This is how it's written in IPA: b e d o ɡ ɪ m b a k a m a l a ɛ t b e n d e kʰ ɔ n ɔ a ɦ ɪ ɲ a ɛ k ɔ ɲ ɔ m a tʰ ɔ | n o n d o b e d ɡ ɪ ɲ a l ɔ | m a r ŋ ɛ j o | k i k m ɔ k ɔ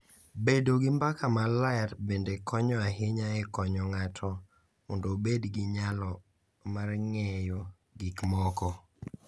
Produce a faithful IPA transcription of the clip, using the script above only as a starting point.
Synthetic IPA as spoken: b e d o ɡ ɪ m b a k a m a l a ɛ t b e n d e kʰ ɔ ɲ ɔ a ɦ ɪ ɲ a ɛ k ɔ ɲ ɔ ŋ a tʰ ɔ | m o n d o b e d ɡ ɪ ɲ a l ɔ | m a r ŋ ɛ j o | ɡ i k m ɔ k ɔ